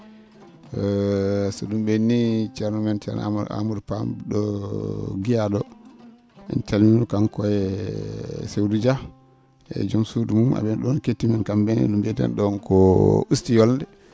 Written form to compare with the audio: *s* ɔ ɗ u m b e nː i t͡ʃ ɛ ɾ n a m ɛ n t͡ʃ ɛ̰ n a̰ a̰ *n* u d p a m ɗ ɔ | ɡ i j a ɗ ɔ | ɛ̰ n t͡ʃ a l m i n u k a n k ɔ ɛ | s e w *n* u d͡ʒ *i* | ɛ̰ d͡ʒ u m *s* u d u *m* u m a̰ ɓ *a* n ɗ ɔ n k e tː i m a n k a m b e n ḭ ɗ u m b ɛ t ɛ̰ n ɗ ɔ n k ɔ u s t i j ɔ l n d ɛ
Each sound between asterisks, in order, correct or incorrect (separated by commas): correct, incorrect, incorrect, incorrect, correct, correct, incorrect